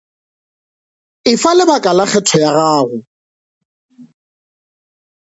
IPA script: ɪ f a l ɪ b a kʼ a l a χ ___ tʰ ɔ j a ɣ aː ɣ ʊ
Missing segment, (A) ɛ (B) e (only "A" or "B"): A